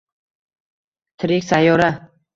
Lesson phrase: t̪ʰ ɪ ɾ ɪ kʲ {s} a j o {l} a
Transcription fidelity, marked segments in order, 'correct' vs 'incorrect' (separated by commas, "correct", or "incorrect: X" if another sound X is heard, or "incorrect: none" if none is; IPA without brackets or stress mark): correct, incorrect: ɾ